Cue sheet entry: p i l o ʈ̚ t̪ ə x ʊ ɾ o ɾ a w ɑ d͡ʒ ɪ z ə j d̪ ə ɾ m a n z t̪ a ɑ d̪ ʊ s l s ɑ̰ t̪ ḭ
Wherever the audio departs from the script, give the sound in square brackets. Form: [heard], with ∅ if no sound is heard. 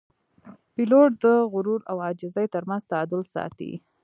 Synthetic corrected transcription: p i l o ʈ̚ [d̪] ə [ɣ] ʊ ɾ [u] ɾ a w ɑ d͡ʒ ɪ z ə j [t̪] ə ɾ m a n z t̪ a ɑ d̪ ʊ [∅] l s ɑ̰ t̪ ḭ